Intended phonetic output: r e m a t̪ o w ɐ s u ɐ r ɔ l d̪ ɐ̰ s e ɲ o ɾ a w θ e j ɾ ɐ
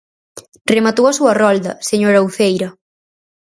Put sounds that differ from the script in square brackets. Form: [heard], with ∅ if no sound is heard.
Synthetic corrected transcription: r e m a t̪ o w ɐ s u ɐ r ɔ l d̪ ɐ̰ s e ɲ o ɾ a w θ e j ɾ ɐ